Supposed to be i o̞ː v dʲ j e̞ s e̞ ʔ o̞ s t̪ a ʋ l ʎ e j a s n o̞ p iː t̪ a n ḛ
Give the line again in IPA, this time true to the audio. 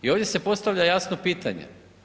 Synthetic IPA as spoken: i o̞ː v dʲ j e̞ s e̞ p o̞ s t̪ a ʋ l ʎ a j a s n o̞ p iː t̪ a ɲ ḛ